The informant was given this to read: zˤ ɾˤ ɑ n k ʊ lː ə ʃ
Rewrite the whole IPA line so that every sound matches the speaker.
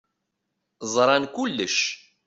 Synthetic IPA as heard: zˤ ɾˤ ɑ n k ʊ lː ə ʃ